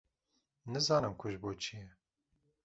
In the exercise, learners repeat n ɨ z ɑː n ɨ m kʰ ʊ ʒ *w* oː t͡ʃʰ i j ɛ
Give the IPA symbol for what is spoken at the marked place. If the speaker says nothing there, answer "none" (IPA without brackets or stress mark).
b